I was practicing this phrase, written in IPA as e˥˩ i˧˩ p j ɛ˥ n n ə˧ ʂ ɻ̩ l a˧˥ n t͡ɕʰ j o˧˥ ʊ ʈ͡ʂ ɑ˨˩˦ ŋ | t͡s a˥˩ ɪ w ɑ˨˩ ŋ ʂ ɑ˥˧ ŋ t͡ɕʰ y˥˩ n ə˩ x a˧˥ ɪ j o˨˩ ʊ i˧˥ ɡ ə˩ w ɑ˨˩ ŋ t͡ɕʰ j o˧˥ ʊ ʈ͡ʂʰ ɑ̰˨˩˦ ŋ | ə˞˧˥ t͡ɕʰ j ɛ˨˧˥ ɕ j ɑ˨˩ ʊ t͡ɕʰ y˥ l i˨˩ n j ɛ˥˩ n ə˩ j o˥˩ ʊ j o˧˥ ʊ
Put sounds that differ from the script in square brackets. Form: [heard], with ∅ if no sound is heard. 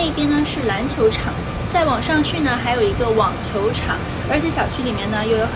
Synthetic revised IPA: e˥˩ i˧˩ p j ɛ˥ n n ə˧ ʂ ɻ̩ l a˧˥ n t͡ɕʰ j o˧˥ ʊ [ʈ͡ʂʰ] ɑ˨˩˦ ŋ | t͡s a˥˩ ɪ w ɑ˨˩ ŋ ʂ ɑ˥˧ ŋ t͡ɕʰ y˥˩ n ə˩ x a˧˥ ɪ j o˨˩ ʊ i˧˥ ɡ [ə˧] w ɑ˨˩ ŋ t͡ɕʰ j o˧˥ ʊ ʈ͡ʂʰ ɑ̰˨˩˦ ŋ | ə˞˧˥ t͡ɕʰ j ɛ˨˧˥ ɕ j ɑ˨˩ ʊ t͡ɕʰ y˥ l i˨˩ [m] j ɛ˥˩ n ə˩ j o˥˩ ʊ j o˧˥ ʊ